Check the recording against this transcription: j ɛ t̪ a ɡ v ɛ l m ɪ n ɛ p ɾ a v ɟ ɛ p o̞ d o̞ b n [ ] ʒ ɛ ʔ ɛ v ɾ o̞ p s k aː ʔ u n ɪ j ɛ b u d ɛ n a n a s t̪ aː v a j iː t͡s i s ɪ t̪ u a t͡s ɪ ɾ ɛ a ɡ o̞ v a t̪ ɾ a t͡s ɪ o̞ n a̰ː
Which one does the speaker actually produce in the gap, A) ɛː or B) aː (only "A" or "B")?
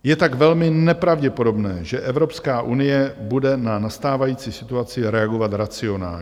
A